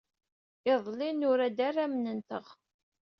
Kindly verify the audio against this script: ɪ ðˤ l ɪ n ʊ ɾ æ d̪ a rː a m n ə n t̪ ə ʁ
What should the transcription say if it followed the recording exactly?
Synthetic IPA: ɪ ðˤ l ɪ n ʊ ɾ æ d̪ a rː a m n ə n t̪ ə ʁ